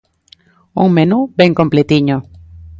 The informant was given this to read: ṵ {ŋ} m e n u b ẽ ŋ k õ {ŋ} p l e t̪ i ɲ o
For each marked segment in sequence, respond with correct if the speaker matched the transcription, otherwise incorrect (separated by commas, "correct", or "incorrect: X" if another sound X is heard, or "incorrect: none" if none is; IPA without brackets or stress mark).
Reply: correct, incorrect: m